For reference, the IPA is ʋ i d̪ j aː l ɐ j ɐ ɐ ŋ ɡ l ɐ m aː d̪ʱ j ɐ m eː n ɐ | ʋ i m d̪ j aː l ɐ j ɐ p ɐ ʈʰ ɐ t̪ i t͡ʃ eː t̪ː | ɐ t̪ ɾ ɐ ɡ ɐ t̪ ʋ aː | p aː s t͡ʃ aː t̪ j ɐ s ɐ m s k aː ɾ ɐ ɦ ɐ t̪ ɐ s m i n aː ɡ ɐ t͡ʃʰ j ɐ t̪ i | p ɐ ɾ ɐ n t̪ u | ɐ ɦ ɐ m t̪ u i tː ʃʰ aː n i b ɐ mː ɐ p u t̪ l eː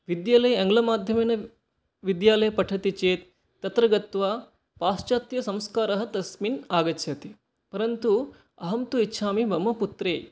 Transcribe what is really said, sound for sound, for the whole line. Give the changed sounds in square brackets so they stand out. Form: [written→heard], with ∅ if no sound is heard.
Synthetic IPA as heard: ʋ i d̪ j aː l ɐ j ɐ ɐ ŋ ɡ l ɐ m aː d̪ʱ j ɐ m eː n ɐ | ʋ i [m→∅] d̪ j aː l ɐ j ɐ p ɐ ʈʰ ɐ t̪ i t͡ʃ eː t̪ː | ɐ t̪ ɾ ɐ ɡ ɐ t̪ ʋ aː | p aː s t͡ʃ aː t̪ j ɐ s ɐ m s k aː ɾ ɐ ɦ ɐ t̪ ɐ s m i n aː ɡ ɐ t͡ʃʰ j ɐ t̪ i | p ɐ ɾ ɐ n t̪ u | ɐ ɦ ɐ m t̪ u i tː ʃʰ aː [n→m] i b ɐ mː ɐ p u t̪ [l→ɾ] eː